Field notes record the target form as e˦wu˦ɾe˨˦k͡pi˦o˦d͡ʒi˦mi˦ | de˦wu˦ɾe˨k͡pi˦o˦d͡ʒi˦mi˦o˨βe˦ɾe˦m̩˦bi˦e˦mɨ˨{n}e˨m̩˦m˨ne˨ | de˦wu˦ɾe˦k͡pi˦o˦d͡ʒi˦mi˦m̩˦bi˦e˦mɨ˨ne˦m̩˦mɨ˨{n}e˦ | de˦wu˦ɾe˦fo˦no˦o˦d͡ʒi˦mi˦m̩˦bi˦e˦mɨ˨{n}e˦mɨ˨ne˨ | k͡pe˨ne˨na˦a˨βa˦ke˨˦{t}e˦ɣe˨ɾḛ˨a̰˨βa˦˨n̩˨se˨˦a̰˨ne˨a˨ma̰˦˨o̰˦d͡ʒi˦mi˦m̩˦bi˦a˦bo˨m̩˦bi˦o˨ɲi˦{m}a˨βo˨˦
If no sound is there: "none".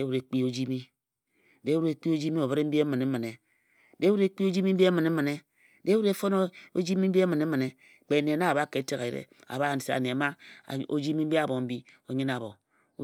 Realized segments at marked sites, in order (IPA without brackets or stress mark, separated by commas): n, n, n, t, n